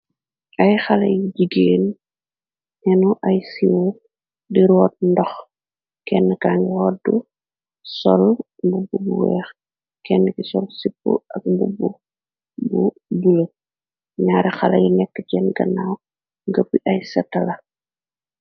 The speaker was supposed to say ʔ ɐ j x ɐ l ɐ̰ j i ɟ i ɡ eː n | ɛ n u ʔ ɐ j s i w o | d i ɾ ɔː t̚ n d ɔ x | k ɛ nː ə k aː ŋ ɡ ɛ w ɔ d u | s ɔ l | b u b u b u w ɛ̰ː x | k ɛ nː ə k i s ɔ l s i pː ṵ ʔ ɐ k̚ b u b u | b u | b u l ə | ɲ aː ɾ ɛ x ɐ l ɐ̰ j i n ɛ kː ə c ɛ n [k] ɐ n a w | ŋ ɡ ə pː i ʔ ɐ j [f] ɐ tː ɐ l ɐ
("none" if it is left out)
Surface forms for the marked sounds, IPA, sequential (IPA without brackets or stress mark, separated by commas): ɡ, s